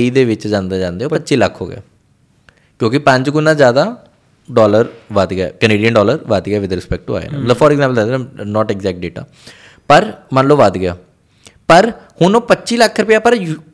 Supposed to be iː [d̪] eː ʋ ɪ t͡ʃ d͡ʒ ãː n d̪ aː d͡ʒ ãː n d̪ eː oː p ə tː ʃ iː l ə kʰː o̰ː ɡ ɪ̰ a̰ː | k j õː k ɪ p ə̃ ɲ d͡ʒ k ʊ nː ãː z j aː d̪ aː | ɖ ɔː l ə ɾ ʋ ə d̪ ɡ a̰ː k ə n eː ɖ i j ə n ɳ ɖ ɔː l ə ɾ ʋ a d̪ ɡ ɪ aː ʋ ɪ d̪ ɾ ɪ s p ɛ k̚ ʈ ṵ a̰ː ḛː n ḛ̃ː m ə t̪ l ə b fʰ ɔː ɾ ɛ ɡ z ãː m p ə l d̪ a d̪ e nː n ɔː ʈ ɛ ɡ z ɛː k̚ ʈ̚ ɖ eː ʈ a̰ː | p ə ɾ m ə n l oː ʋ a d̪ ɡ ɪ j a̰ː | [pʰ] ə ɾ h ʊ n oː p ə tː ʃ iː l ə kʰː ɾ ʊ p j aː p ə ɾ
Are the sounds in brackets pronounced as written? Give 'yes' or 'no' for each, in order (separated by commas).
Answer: yes, no